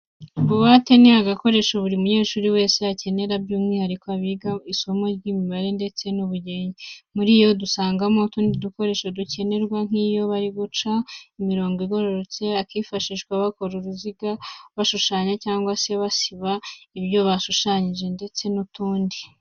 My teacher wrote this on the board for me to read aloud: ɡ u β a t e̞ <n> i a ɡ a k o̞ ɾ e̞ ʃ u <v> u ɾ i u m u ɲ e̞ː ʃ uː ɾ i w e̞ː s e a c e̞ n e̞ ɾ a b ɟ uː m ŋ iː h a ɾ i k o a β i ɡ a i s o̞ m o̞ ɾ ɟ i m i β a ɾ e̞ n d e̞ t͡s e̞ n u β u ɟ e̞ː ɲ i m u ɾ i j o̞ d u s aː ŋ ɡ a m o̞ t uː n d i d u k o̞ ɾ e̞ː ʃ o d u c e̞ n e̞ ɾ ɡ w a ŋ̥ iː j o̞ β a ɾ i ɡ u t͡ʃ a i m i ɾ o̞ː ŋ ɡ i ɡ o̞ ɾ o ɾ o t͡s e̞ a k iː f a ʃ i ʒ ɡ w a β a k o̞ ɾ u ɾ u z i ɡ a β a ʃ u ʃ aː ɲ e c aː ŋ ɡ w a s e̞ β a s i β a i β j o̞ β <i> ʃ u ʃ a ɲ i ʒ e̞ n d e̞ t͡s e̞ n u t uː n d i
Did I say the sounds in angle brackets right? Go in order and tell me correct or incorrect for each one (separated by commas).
correct, incorrect, incorrect